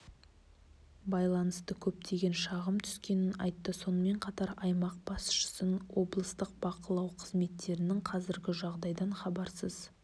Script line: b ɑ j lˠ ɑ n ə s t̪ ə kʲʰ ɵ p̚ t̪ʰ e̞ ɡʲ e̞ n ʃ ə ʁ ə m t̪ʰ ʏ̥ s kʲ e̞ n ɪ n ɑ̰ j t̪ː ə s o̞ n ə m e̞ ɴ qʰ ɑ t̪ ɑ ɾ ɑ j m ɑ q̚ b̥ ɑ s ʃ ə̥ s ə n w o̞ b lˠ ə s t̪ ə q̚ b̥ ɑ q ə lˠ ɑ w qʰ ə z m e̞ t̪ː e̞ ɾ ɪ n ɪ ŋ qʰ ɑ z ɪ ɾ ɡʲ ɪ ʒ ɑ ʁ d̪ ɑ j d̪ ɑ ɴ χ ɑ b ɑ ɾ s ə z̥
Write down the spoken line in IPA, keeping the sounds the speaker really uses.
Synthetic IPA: b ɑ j lˠ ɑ n ə s t̪ ə kʲʰ ɵ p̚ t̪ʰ e̞ ɡʲ e̞ n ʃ ɑ ʁ ə m t̪ʰ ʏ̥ s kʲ e̞ n ɪ n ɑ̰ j t̪ː ə s o̞ n ə m e̞ ɴ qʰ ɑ t̪ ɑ ɾ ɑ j m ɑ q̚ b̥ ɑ s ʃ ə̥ s ə n w o̞ b lˠ ə s t̪ ə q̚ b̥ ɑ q ə lˠ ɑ w qʰ ə z m e̞ t̪ː e̞ ɾ ɪ n ɪ ŋ qʰ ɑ z ɪ ɾ ɡʲ ɪ ʒ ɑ ʁ d̪ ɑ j d̪ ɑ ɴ χ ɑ b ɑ ɾ s ə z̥